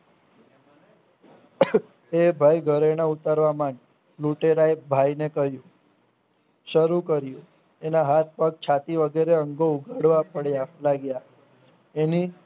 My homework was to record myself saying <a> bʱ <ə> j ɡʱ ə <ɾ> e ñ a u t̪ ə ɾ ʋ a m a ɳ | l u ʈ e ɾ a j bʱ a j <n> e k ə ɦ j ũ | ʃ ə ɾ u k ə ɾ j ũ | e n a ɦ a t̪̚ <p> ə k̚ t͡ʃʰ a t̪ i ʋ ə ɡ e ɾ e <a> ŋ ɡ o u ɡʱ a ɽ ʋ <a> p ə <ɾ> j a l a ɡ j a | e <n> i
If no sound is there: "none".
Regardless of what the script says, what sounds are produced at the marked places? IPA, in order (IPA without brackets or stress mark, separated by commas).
e, a, ɾ, n, p, ə, a, ɽ, n